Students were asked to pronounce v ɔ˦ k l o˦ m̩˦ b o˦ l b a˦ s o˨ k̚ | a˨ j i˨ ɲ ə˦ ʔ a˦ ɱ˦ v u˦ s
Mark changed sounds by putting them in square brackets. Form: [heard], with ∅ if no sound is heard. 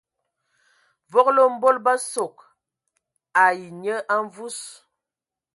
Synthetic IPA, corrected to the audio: v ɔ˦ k l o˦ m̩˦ b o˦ l b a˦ s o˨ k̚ | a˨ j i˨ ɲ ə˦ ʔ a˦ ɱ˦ v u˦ s